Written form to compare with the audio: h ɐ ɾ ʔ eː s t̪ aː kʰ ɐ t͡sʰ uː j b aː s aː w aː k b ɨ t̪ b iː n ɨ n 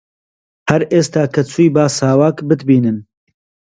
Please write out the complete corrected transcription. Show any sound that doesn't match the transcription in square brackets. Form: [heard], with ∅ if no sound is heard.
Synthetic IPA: h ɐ ɾ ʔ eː s t̪ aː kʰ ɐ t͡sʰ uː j b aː s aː w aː k b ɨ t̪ b iː n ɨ n